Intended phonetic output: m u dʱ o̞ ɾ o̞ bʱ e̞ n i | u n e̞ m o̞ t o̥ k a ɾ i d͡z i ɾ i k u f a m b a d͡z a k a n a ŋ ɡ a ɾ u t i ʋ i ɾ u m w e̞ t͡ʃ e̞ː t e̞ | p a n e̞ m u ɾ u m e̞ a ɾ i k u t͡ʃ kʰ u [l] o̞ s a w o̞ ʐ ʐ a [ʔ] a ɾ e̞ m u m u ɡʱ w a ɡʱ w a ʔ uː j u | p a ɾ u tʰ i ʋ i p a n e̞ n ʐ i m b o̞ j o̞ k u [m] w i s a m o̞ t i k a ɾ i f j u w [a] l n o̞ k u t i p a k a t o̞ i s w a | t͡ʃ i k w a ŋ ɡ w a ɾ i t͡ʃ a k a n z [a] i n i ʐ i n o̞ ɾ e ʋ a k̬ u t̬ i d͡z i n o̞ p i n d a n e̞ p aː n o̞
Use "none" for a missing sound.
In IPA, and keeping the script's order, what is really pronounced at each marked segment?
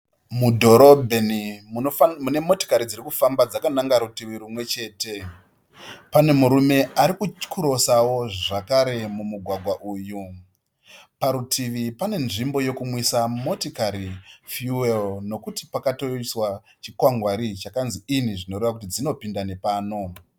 ɾ, k, m, e, i

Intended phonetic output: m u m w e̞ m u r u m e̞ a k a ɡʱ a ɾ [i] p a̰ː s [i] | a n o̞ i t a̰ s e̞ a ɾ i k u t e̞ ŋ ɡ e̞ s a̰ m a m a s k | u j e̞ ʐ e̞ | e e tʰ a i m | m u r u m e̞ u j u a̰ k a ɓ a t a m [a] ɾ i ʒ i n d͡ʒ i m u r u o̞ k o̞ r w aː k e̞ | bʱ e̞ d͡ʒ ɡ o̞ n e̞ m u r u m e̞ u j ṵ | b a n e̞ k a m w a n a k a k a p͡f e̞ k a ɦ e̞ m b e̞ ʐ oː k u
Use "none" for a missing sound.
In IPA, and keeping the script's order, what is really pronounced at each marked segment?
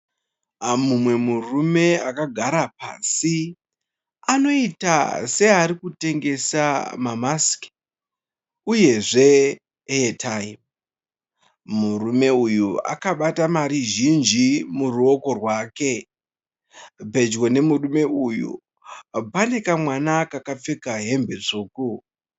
a, i, a

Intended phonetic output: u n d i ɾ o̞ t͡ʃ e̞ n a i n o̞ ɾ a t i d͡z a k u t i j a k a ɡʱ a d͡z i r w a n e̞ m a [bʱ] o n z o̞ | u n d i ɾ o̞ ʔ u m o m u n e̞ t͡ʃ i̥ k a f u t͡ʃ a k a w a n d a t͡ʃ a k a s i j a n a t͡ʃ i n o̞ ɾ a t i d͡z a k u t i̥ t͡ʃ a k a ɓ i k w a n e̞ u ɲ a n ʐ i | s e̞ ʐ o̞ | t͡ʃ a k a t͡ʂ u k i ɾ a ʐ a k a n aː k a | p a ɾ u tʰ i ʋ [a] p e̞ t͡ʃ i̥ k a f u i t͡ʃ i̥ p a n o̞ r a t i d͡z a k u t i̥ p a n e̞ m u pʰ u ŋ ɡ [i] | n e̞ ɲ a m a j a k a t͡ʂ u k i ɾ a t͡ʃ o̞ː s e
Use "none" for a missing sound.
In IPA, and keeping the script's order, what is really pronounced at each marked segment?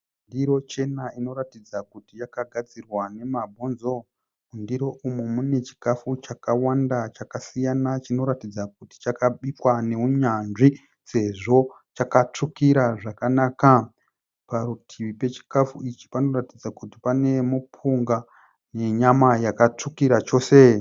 bʱ, i, a

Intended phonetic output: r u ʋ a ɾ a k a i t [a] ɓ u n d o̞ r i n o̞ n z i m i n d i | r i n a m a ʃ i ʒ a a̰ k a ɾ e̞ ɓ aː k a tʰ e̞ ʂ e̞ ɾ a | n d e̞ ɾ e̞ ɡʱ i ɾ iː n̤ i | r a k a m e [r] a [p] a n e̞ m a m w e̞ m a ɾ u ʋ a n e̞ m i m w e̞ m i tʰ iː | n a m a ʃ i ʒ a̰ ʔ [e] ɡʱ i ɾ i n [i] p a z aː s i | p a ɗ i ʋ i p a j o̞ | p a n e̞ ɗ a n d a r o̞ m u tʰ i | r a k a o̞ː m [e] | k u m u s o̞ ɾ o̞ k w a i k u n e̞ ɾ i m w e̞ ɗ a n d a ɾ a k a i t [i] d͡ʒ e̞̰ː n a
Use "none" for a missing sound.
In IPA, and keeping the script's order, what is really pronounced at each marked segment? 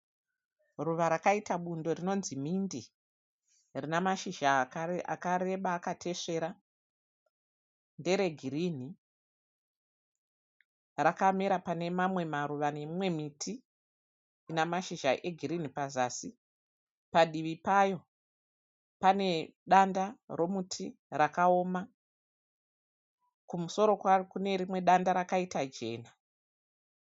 a, ɾ, p, e, i, a, a

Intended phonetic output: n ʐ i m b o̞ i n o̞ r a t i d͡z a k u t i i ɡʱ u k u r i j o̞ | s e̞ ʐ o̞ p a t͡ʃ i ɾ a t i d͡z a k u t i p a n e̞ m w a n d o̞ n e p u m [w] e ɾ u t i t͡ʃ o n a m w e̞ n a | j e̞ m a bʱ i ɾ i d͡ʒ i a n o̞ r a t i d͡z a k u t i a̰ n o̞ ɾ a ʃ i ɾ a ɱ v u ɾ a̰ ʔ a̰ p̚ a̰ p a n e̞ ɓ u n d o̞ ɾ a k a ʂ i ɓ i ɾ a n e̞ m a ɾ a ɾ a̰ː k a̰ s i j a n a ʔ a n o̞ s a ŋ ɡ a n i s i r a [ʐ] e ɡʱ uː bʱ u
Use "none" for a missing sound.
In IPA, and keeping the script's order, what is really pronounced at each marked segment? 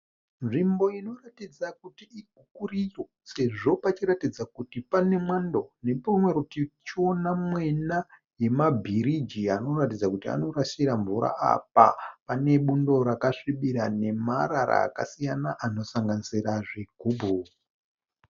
w, ʐ

